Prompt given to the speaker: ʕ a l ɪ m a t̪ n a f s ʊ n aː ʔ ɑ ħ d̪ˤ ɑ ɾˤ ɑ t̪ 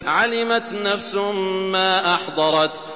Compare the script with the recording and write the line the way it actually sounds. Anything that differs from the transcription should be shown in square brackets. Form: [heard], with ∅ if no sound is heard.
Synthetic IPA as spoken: ʕ a l ɪ m a t̪ n a f s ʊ [m] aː ʔ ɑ ħ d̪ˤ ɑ ɾˤ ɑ t̪

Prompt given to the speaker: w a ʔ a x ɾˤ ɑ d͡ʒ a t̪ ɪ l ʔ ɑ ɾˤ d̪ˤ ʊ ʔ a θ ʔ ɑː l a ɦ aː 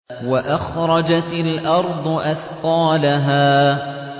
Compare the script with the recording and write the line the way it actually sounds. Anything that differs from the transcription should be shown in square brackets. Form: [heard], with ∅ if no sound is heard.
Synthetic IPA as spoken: w a ʔ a x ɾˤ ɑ d͡ʒ a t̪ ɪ l ʔ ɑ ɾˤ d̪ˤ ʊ ʔ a θ [q] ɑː l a ɦ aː

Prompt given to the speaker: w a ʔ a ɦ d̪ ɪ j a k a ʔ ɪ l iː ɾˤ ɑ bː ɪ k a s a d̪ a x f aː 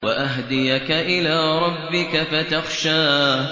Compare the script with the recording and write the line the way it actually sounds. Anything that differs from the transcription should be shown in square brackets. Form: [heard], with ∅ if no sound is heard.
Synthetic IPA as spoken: w a ʔ a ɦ d̪ ɪ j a k a ʔ ɪ l [aː] ɾˤ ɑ bː ɪ k a [f] a [t̪] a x [ʃ] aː

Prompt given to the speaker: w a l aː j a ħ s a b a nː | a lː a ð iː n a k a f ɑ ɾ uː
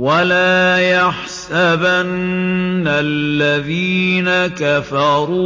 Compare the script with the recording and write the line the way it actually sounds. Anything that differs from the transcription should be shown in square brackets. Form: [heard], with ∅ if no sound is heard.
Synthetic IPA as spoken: w a l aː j a ħ s a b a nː | a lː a ð iː n a k a f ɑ ɾ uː

